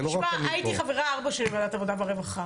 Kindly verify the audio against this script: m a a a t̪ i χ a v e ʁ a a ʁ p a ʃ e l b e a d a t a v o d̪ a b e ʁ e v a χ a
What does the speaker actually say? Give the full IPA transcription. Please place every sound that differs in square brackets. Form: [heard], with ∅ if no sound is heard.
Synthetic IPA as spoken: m a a [i] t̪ i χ a v e ʁ a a ʁ [b] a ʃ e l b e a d a t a v o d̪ a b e ʁ e v a χ a